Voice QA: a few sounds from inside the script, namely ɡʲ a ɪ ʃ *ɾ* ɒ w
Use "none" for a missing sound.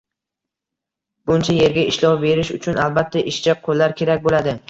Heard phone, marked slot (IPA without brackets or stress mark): l